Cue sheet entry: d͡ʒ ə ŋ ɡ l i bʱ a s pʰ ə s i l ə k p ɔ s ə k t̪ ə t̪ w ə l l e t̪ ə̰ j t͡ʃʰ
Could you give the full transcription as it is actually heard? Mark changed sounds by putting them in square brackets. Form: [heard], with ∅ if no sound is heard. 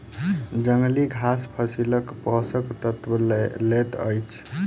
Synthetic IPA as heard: d͡ʒ ə ŋ ɡ l i [ɡʱ] a s pʰ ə s i l ə k p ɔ s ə k t̪ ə t̪ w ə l l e t̪ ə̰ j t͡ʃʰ